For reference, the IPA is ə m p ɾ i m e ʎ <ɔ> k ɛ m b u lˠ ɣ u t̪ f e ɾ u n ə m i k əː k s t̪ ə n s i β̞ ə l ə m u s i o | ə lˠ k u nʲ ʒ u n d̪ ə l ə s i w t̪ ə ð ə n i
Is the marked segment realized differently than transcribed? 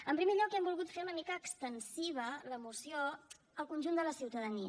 no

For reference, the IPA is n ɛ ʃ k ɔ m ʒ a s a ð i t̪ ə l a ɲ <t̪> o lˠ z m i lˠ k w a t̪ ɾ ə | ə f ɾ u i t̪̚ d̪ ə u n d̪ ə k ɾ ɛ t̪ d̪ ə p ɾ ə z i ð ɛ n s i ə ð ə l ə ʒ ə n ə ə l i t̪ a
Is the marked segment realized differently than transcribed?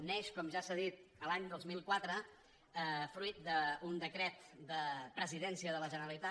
yes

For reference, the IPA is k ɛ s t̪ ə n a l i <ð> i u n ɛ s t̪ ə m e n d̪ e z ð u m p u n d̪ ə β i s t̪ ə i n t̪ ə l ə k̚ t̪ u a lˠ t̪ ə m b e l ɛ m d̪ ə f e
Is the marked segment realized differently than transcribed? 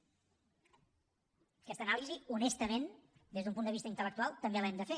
yes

